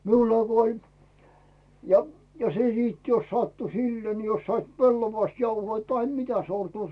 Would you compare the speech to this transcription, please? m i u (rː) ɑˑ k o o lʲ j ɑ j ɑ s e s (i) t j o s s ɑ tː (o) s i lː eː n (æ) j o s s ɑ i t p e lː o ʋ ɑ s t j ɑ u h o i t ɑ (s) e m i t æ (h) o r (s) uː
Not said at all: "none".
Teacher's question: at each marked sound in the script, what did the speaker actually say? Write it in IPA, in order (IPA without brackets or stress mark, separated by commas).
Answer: lː, iː, u, i, h, s, t